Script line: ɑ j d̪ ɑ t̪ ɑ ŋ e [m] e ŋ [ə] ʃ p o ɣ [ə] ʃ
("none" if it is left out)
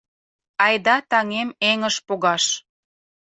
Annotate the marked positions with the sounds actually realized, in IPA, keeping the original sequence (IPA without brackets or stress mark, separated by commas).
m, ə, ɑ